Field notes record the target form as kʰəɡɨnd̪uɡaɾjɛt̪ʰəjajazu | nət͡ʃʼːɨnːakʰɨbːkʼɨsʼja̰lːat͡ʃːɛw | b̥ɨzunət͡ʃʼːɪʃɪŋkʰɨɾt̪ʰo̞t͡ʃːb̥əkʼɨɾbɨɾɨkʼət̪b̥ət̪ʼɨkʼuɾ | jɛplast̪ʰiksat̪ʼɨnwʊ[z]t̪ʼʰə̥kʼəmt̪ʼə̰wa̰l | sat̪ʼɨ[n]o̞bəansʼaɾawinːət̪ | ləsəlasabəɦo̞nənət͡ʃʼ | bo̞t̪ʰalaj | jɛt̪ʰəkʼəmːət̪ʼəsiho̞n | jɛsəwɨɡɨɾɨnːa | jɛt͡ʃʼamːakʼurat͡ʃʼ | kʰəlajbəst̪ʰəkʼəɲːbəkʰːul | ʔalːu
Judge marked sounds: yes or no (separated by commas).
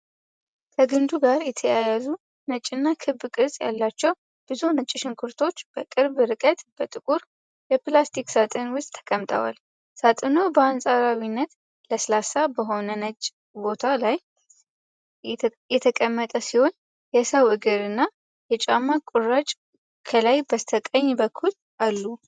no, yes